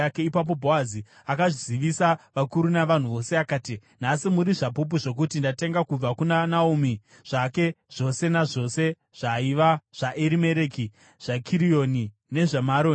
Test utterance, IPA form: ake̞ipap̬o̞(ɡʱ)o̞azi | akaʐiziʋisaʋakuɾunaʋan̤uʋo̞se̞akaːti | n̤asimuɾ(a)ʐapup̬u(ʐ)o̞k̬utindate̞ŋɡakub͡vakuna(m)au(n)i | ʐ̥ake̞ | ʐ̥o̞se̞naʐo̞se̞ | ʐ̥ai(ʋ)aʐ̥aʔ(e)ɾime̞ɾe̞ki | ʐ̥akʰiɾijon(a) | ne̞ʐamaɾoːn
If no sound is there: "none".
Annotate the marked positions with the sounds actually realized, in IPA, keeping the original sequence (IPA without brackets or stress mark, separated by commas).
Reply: bʱ, i, ʐ, n, m, ʋ, e, i